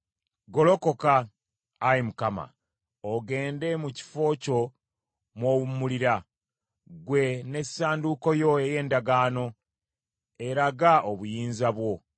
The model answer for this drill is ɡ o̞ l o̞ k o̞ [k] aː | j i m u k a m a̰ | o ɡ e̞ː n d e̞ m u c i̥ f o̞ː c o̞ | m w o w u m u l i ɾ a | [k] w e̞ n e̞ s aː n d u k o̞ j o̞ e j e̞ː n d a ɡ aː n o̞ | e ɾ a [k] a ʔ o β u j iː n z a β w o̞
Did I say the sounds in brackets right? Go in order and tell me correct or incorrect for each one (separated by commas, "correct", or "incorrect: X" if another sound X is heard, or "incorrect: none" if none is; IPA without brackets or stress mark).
correct, incorrect: ɡ, incorrect: ɡ